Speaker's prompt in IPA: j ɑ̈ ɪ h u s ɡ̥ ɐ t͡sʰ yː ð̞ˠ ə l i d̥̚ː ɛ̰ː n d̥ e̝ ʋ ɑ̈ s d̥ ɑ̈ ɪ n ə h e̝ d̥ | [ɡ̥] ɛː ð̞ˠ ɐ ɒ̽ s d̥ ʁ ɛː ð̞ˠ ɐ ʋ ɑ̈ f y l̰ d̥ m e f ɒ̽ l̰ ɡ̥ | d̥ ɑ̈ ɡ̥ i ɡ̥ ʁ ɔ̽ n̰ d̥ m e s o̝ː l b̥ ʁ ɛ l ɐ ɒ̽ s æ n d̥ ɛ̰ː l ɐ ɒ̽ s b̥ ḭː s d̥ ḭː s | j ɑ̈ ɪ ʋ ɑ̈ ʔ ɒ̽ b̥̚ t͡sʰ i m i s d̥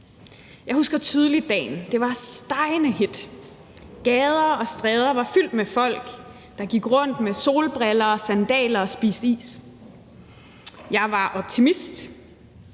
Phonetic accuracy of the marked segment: correct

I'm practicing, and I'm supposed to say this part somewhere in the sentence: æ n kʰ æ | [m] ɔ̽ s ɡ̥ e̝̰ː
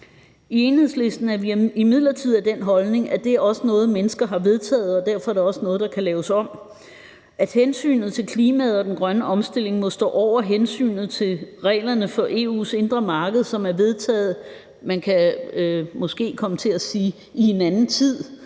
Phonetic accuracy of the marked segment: correct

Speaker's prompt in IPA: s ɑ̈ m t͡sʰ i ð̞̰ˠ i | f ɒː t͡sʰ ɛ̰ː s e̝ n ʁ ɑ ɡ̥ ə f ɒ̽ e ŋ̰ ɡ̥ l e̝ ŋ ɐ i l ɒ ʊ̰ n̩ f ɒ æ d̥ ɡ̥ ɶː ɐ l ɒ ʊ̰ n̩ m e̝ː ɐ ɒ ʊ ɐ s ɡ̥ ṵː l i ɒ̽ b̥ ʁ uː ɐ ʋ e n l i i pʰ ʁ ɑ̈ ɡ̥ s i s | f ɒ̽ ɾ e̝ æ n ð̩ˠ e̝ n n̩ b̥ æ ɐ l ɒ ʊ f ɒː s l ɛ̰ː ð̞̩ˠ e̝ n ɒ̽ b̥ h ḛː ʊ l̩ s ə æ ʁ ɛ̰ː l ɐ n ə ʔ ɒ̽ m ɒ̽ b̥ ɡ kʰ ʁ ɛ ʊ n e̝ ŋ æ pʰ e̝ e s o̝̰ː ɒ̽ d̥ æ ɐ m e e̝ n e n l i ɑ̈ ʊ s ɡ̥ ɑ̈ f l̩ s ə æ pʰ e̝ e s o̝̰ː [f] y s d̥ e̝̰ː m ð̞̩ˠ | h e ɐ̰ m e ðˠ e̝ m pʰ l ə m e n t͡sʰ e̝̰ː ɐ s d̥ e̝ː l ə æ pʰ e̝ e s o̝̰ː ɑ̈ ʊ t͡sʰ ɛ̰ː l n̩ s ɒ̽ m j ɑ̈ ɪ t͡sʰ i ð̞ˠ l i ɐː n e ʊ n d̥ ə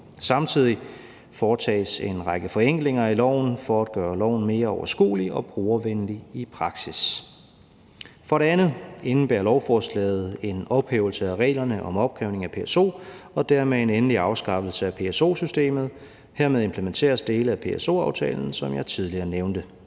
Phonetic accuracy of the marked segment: incorrect: s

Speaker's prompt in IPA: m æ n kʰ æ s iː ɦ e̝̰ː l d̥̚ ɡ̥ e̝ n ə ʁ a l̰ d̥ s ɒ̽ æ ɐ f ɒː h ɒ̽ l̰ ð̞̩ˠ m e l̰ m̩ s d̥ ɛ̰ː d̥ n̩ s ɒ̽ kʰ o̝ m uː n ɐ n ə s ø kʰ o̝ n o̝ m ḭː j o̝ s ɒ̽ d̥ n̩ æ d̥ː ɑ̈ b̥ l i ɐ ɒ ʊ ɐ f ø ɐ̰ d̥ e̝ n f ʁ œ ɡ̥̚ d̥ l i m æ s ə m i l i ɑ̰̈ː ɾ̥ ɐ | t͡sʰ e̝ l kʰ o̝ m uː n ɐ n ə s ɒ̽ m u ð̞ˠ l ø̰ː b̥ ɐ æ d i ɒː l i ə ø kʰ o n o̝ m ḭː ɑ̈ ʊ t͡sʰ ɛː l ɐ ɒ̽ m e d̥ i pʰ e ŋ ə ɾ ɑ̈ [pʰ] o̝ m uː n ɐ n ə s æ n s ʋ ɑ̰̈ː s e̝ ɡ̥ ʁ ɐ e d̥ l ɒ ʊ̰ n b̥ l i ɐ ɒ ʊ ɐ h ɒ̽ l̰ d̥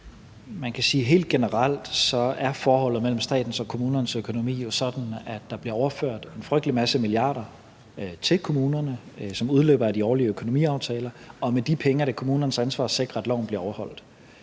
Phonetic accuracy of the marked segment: incorrect: kʰ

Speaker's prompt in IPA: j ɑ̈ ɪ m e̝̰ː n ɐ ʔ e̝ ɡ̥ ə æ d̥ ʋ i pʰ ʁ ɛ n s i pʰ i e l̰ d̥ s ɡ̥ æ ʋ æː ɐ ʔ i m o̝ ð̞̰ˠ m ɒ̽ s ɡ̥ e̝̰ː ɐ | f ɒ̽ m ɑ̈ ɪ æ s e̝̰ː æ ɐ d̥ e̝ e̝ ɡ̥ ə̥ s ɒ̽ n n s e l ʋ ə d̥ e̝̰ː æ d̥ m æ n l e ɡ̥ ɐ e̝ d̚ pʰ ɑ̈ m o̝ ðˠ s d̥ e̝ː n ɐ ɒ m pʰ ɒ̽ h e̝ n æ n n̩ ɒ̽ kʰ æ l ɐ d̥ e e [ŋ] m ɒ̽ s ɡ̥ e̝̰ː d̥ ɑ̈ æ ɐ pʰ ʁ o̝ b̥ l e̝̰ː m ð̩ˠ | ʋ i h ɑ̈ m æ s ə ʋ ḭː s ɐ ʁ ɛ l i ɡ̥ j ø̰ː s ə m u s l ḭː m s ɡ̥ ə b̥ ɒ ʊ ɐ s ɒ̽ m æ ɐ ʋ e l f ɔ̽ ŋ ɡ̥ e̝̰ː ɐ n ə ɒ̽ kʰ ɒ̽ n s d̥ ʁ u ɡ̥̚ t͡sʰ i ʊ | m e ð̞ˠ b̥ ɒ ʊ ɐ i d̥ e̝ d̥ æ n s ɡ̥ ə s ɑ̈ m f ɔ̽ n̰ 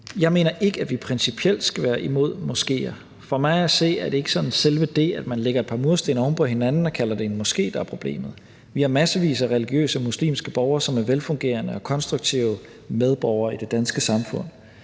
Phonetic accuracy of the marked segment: incorrect: n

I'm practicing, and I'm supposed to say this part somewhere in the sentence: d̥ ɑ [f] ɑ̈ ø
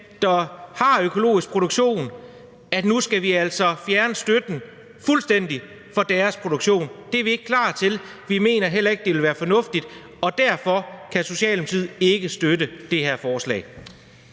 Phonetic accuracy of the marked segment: incorrect: h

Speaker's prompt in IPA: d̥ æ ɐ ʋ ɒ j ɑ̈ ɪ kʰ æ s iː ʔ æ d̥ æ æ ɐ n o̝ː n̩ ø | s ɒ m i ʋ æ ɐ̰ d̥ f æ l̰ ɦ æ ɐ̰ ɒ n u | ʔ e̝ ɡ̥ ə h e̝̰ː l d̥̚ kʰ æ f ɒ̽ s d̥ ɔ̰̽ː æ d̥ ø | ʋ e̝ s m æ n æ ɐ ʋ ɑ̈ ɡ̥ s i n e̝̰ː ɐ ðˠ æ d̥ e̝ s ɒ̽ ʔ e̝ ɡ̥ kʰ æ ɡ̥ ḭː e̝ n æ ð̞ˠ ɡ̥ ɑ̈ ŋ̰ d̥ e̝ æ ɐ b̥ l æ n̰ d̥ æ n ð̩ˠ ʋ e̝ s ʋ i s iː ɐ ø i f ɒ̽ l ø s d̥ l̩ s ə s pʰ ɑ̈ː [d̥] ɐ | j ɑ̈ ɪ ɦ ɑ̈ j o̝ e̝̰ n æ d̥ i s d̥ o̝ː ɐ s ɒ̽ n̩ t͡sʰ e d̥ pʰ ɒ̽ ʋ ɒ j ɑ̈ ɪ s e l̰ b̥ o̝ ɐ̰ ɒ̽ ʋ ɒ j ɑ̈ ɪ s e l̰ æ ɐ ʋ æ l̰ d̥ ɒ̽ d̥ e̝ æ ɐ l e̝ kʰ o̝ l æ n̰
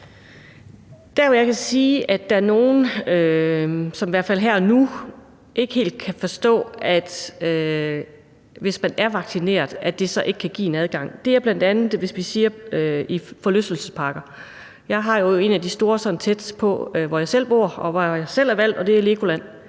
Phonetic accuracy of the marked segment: incorrect: ɡ̥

